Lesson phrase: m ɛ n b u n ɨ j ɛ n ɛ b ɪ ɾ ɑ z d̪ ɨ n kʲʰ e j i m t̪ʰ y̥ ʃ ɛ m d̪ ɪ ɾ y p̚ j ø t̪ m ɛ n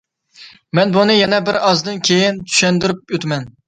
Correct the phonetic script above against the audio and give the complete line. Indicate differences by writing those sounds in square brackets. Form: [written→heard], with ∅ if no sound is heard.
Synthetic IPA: m ɛ n b u n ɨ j ɛ n ɛ b ɪ ɾ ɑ z d̪ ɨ n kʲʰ e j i [m→n] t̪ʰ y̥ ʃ ɛ [m→n] d̪ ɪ ɾ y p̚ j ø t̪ m ɛ n